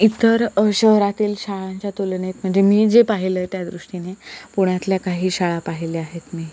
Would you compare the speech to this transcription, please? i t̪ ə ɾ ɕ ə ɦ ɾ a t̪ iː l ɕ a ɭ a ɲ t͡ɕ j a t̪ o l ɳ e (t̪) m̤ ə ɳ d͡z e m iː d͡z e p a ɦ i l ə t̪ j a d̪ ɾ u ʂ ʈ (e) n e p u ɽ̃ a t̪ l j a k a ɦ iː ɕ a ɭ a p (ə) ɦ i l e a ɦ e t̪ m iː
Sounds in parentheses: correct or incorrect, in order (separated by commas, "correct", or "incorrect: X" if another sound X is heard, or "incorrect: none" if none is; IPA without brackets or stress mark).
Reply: correct, incorrect: i, incorrect: a